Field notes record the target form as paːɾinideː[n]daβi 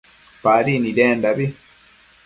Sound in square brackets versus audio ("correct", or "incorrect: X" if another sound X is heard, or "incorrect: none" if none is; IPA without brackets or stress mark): correct